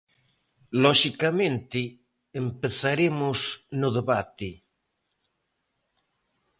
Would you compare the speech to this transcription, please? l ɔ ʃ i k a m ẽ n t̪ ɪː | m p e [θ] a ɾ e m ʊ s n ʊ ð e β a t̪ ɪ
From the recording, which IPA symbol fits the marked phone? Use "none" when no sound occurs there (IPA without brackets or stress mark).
θ